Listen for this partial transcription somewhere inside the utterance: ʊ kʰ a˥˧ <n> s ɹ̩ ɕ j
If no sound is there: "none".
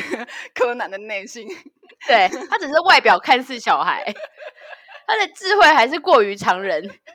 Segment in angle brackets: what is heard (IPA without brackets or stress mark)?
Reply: n